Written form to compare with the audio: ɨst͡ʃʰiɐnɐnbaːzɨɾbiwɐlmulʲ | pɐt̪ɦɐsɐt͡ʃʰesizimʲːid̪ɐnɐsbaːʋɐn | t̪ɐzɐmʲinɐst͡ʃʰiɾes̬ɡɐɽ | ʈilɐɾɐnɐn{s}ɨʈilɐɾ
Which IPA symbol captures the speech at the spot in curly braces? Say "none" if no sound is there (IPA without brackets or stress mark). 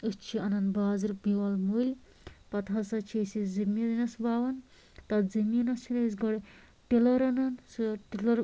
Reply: s